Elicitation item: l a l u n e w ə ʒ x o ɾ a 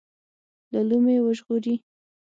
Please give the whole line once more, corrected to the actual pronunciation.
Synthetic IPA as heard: l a l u m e w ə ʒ ɣ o ɾ i